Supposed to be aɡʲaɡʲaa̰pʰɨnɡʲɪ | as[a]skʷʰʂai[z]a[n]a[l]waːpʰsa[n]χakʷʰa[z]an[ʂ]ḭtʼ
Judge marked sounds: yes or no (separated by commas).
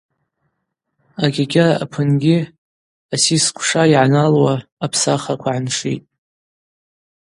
no, no, yes, yes, no, no, yes